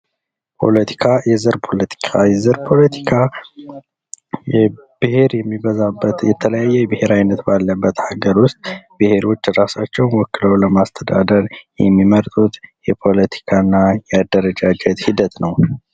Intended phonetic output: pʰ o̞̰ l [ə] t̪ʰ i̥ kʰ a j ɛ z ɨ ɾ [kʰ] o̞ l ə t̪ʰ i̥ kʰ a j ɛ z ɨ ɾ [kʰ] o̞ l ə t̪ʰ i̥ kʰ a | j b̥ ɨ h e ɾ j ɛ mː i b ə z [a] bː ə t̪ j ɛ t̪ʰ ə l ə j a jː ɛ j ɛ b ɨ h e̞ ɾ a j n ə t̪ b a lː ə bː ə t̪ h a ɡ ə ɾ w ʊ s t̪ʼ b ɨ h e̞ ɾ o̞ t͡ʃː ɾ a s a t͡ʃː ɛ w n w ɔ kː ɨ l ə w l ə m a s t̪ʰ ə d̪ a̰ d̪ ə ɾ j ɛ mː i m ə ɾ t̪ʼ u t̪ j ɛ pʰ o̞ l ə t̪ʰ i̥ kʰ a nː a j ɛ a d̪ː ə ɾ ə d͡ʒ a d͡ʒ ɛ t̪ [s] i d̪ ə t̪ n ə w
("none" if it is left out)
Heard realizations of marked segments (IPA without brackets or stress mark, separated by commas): ə, pʰ, pʰ, a, h